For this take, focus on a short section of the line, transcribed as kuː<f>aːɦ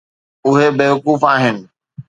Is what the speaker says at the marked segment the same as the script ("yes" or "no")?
yes